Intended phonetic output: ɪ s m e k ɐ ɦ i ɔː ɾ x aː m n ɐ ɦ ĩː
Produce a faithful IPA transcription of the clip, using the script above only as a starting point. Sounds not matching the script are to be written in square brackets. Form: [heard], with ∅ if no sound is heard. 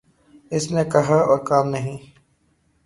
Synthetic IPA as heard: ɪ s [n] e k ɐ ɦ [a] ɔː ɾ [k] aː m n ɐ ɦ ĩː